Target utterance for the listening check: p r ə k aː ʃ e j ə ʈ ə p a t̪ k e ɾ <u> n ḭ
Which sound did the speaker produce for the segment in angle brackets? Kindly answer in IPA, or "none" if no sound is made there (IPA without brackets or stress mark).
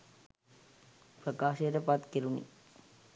u